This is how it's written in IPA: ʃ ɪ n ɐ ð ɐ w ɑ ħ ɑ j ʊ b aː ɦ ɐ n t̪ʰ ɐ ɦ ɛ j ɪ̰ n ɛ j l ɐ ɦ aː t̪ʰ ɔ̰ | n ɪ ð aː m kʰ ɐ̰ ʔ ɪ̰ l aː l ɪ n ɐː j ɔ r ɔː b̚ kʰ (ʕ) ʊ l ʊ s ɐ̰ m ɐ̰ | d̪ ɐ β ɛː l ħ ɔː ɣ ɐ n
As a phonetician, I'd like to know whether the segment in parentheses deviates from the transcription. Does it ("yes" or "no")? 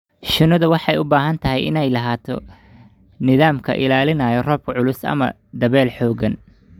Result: no